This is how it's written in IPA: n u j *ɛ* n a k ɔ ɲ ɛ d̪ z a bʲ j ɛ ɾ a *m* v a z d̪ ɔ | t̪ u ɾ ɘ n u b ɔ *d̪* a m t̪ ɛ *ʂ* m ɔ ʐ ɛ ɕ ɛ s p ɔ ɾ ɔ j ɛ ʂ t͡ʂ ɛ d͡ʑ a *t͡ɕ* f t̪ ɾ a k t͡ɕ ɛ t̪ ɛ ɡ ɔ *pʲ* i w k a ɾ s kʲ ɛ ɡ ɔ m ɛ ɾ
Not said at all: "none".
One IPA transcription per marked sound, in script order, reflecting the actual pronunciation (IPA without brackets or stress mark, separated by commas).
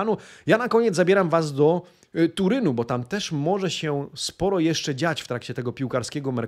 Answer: a, m, t̪, ʂ, t͡ɕ, pʲ